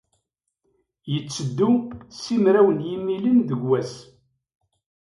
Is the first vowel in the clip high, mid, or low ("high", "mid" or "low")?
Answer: mid